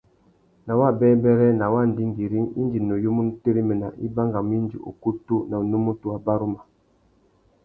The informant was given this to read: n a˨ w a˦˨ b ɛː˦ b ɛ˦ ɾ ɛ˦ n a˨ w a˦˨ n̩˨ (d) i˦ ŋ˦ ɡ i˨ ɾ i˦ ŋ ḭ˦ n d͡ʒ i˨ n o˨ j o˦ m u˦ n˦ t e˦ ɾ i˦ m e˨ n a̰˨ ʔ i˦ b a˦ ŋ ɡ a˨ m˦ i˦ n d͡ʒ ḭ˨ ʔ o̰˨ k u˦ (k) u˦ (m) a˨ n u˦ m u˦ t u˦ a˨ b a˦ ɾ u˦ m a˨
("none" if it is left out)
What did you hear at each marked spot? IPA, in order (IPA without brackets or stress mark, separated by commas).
d, t, n